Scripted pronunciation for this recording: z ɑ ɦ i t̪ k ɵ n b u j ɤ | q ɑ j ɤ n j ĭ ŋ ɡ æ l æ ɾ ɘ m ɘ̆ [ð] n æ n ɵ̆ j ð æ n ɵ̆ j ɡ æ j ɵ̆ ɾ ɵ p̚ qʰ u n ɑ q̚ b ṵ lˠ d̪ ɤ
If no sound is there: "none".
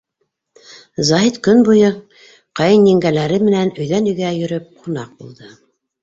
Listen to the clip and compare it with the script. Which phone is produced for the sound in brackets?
none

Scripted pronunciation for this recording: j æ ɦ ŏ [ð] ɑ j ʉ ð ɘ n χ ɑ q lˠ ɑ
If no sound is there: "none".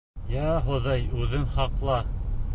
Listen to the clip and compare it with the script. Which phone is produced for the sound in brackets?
ð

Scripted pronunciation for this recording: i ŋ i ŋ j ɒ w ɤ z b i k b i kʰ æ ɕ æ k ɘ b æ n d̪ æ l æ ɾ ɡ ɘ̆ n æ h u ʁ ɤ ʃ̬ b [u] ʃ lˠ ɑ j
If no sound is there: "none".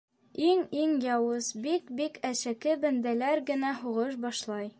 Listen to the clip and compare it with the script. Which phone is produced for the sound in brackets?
ɒ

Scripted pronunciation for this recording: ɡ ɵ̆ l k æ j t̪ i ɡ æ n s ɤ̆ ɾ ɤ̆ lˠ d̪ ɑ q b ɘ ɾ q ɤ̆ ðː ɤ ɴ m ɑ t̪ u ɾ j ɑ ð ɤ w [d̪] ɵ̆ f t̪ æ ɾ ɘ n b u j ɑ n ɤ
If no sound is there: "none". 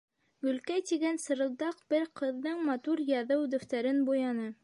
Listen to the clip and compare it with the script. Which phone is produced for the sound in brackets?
d̪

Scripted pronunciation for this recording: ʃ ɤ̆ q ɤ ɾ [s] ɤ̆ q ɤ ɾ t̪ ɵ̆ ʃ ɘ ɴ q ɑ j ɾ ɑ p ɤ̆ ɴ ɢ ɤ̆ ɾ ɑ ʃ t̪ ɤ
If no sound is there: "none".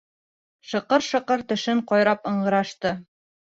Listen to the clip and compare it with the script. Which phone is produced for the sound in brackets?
ʃ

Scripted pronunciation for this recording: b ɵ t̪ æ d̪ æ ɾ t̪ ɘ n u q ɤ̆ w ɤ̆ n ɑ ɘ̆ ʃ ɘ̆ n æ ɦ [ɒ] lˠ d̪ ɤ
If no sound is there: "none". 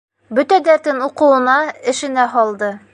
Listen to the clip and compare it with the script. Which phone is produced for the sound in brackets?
ɒ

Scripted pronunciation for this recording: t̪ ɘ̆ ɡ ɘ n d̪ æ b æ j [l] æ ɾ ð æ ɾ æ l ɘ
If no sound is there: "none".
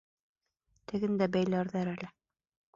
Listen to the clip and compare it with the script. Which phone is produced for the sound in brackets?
l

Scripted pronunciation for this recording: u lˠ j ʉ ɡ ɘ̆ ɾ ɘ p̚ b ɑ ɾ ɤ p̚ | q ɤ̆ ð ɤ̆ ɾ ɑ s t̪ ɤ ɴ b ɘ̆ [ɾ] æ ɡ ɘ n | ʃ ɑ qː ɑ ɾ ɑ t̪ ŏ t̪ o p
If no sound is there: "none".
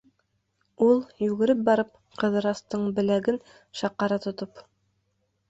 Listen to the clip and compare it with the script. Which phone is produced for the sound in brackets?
l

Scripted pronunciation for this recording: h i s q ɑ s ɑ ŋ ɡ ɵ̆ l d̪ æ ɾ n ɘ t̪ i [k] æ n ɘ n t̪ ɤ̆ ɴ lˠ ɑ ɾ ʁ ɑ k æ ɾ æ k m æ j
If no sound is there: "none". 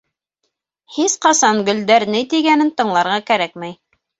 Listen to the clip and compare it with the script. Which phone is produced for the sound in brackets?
ɡ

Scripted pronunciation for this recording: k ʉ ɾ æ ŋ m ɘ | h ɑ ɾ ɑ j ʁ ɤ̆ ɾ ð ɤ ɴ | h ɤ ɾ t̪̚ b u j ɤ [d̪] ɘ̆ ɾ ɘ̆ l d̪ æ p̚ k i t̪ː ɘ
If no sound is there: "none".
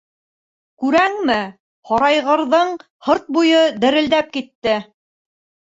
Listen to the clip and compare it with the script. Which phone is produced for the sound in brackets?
d̪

